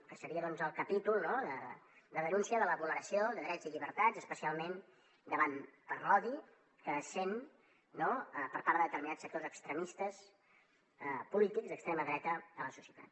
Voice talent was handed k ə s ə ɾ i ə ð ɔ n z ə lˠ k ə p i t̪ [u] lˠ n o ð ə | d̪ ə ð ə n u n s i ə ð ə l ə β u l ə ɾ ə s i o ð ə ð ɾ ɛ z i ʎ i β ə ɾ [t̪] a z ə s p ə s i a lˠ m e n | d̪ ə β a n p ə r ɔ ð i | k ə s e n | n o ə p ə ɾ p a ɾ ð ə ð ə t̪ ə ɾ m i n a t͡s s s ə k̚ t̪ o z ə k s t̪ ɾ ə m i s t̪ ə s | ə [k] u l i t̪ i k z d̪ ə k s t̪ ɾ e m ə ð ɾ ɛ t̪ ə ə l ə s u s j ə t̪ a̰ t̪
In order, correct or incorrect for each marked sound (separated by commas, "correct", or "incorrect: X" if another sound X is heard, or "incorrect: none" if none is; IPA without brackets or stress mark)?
correct, correct, incorrect: p